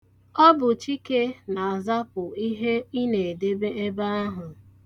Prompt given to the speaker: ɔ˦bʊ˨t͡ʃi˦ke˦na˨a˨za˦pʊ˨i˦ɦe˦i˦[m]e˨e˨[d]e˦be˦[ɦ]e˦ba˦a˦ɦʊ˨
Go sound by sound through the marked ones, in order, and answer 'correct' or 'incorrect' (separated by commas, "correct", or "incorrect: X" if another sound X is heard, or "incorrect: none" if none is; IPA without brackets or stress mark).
incorrect: n, correct, incorrect: none